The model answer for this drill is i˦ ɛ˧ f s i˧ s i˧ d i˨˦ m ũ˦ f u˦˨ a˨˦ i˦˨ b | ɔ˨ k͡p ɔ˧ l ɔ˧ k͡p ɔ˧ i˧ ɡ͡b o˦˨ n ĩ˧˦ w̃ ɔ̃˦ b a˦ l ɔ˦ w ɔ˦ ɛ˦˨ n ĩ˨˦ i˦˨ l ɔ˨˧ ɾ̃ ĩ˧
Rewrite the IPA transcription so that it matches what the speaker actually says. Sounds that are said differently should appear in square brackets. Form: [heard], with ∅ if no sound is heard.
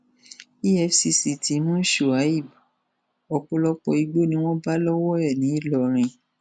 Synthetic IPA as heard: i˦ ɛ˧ f s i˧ s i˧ [t] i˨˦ m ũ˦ [ʃ] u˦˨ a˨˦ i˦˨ b | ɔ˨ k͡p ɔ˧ l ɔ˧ k͡p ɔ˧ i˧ ɡ͡b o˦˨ n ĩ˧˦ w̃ ɔ̃˦ b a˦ l ɔ˦ w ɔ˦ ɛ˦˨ n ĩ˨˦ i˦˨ l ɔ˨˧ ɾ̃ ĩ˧

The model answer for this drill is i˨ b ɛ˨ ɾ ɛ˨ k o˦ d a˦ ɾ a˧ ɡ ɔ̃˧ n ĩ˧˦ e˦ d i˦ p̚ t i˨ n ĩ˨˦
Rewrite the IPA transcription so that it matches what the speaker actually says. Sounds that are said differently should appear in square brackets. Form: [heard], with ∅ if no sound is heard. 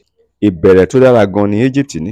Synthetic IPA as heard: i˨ b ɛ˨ ɾ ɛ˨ [t] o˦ d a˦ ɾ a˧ ɡ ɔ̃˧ n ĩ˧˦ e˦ [d͡ʒ] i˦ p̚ t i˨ n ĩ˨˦

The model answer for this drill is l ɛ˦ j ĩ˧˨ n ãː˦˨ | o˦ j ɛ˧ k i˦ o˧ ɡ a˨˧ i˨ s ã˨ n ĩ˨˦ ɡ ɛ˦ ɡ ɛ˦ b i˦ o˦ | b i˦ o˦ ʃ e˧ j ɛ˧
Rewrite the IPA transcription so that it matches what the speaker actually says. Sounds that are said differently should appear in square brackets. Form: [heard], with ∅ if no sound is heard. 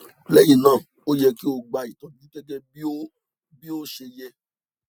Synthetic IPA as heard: l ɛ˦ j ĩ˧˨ n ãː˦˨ | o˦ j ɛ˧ k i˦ o˧ [ɡ͡b] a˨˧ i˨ [t] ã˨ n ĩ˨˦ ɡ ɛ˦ ɡ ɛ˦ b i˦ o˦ | b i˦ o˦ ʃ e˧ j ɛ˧

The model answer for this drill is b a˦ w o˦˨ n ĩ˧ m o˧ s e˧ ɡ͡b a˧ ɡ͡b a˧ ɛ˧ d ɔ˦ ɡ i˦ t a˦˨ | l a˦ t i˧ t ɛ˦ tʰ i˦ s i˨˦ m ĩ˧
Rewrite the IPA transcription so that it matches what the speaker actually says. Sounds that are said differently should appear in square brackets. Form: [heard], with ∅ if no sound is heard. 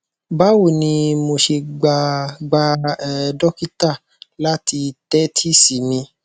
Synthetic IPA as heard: b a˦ w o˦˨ n ĩ˧ m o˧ [ʃ] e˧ ɡ͡b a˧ ɡ͡b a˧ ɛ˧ d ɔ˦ [k] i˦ t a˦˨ | l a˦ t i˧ t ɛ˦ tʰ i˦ s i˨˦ m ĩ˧

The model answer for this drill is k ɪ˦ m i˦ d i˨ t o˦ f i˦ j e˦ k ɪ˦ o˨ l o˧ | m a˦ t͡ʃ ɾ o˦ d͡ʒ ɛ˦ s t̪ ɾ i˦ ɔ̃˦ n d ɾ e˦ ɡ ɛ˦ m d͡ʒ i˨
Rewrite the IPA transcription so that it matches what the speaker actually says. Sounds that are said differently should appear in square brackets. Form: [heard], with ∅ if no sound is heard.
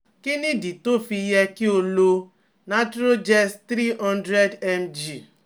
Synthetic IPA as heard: k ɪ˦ [n] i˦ d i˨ t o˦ f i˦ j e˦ k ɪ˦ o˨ l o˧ | [n] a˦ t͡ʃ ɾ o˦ d͡ʒ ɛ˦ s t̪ ɾ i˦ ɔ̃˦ n d ɾ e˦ [d] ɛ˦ m d͡ʒ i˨

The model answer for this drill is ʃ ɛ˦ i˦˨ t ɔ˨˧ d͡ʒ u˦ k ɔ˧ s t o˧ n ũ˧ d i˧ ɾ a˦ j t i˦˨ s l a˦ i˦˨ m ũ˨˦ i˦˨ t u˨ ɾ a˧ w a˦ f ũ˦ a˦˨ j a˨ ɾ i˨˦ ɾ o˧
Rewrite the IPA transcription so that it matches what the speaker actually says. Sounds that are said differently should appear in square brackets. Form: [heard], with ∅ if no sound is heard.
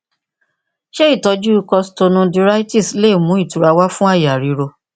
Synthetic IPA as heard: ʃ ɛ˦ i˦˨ t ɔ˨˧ d͡ʒ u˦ k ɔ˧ s t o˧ n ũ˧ d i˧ ɾ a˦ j t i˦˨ s l [e˦] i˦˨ m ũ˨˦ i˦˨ t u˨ ɾ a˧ w a˦ f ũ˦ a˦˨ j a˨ ɾ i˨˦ ɾ o˧

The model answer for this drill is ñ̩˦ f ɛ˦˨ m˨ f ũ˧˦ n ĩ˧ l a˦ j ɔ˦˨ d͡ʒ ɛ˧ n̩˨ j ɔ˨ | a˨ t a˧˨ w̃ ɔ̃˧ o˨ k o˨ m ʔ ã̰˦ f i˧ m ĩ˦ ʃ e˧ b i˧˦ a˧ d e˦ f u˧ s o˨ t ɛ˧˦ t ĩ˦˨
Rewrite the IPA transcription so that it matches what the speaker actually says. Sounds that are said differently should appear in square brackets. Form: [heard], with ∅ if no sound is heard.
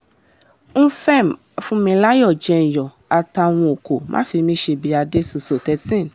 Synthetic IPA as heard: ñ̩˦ f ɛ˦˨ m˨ f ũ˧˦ [m] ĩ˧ l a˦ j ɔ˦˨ d͡ʒ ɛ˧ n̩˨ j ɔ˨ | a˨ t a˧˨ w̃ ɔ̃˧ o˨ k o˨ m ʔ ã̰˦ f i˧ m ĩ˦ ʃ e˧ b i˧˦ a˧ d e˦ [s] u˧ s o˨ t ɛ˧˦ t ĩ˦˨

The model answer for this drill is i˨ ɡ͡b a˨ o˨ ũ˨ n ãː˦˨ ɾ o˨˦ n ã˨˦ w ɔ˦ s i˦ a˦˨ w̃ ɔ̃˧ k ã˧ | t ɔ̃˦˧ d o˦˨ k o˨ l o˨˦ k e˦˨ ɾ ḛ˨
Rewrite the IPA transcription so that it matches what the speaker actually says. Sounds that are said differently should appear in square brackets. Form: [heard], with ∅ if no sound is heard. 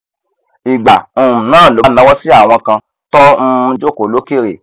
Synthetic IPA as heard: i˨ ɡ͡b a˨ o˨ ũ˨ n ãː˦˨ [l] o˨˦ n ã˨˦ w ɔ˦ s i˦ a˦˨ w̃ ɔ̃˧ k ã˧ | t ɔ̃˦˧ [d͡ʒ] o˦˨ k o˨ l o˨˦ k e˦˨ ɾ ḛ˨

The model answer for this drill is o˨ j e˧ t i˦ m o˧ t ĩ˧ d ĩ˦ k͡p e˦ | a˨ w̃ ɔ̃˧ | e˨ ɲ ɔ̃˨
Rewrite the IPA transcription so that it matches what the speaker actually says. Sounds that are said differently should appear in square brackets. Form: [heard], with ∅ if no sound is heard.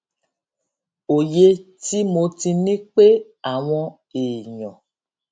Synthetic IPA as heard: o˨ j e˧ t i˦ m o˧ t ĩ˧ [n] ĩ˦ k͡p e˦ | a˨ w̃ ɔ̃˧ | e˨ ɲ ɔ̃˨

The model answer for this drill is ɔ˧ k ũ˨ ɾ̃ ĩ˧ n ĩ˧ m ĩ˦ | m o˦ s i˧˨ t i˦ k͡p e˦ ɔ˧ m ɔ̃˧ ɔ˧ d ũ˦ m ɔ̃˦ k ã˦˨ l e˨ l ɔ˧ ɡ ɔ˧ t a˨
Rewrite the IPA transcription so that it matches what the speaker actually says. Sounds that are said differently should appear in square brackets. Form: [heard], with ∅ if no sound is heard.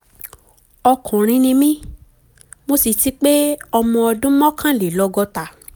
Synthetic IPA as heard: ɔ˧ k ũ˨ ɾ̃ ĩ˧ n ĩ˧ m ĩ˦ | m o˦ s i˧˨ t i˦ k͡p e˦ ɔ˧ m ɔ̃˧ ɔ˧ d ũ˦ m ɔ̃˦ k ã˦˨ l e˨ l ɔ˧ ɡ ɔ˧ t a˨

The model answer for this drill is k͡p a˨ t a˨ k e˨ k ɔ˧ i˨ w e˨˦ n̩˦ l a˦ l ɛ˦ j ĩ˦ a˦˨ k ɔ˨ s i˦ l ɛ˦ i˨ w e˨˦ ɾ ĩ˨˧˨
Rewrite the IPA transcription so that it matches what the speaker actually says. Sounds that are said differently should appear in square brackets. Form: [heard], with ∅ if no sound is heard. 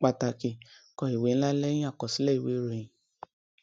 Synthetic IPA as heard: k͡p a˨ t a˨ k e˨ k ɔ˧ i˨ w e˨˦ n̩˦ l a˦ l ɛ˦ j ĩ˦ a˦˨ k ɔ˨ s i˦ l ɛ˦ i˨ w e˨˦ ɾ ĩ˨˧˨

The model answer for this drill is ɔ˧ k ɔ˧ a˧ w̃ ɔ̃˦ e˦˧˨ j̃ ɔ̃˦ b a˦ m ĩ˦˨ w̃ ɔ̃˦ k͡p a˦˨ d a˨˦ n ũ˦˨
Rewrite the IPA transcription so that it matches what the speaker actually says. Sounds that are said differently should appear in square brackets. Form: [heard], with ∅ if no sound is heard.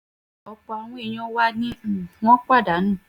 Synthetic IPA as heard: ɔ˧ [k͡p] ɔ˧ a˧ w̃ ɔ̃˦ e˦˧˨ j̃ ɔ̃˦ [w] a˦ [n] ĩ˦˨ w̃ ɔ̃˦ k͡p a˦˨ d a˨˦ n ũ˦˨

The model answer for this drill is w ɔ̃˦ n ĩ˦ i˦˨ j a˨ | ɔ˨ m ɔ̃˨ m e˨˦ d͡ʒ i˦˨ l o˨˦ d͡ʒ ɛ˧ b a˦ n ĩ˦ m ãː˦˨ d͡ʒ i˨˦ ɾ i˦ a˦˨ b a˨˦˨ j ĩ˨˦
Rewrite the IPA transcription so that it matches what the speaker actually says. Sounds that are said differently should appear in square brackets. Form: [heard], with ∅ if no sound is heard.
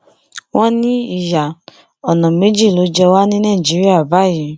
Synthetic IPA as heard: w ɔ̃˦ n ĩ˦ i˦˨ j a˨ | ɔ˨ [n] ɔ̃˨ m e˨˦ d͡ʒ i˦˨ l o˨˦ d͡ʒ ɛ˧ [w] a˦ n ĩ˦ [n] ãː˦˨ d͡ʒ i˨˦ ɾ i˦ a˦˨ b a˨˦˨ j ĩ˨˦

